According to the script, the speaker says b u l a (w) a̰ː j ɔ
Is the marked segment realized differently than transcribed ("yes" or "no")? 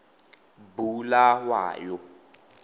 no